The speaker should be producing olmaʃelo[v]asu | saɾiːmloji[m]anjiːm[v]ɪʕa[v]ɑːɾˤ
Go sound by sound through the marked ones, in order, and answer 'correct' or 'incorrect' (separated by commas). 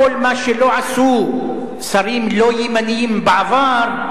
incorrect, correct, incorrect, correct